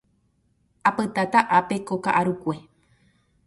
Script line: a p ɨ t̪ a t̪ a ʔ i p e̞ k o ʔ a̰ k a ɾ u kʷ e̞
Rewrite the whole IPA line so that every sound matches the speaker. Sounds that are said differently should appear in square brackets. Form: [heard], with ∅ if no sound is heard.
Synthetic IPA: a p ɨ t̪ a t̪ a ʔ [a] p e̞ k o [k] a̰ [ʔ] a ɾ u kʷ e̞